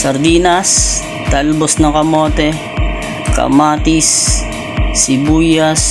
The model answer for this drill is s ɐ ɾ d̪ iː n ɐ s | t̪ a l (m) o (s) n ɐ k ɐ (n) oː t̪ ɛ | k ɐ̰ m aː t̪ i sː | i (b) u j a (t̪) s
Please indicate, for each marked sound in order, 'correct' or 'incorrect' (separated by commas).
incorrect, correct, incorrect, correct, incorrect